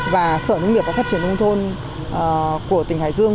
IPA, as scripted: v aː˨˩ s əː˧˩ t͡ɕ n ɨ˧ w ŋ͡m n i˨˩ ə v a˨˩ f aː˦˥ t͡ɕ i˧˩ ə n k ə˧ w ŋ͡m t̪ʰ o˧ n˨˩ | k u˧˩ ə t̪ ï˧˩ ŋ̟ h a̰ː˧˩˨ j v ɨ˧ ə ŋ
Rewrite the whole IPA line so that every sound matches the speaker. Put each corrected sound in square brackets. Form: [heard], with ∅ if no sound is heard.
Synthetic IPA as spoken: v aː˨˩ s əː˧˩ [∅] n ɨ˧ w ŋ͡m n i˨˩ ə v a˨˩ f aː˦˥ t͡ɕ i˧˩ ə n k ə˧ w ŋ͡m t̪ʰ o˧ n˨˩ | k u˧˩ ə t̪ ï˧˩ ŋ̟ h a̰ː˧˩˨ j [z] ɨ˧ ə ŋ